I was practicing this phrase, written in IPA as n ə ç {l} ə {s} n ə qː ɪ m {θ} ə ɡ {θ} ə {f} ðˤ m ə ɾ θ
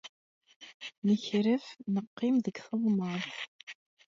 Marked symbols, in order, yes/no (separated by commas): no, no, no, yes, no